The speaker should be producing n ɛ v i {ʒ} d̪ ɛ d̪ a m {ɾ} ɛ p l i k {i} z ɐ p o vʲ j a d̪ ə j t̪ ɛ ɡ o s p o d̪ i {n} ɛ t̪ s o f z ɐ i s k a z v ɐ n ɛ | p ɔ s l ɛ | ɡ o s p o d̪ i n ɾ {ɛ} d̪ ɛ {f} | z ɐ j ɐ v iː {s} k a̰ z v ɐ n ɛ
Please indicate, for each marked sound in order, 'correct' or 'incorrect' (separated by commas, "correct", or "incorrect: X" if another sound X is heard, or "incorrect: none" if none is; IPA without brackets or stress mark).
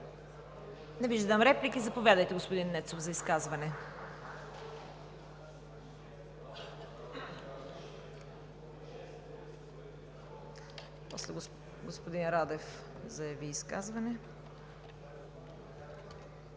correct, correct, correct, incorrect: nː, incorrect: a, correct, correct